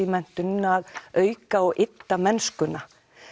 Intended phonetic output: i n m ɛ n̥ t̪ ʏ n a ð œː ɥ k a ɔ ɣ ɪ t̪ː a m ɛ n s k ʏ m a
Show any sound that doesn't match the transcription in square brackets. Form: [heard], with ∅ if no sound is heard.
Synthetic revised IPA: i [∅] m ɛ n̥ t̪ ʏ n a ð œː ɥ k a ɔ ɣ ɪ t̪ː a m ɛ n s k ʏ [n] a